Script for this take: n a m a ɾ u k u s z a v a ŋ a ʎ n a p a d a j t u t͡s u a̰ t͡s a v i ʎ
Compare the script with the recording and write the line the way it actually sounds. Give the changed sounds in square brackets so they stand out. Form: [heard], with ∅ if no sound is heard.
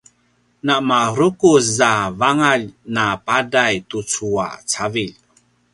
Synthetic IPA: n a m a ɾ u k u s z a v a ŋ a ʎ n a p a d a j t u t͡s u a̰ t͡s a v i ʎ